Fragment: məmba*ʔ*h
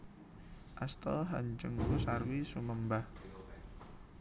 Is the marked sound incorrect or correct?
incorrect